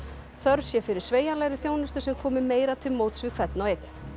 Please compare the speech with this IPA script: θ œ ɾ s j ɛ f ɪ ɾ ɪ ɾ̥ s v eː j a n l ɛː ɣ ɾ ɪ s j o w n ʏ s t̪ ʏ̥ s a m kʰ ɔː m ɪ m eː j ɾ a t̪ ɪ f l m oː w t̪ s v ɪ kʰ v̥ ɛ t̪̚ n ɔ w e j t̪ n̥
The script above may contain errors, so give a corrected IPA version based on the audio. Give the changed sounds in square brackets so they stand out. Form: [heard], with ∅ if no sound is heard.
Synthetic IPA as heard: θ œ ɾ s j ɛ f ɪ ɾ ɪ ɾ̥ s v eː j a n l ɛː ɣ ɾ ɪ [θ] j o w n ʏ s t̪ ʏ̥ s [ɛ] m kʰ ɔː m ɪ m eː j ɾ a [t̪ʰ] ɪ [∅] l m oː w t̪ s v ɪ kʰ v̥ ɛ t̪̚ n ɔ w e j t̪ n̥